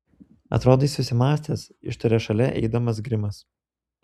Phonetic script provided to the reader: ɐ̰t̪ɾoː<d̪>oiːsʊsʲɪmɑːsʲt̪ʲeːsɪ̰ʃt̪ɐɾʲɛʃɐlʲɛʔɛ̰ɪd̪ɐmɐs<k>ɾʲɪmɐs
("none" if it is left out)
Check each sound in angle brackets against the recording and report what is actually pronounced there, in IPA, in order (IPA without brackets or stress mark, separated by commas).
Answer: d̪, ɡ